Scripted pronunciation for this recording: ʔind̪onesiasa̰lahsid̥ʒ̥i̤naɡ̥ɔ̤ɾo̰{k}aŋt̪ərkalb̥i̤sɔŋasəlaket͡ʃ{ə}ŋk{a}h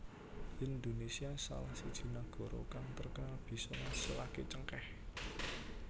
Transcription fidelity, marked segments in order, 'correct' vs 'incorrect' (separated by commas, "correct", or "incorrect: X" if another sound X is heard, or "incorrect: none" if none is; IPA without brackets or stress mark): correct, correct, incorrect: ɛ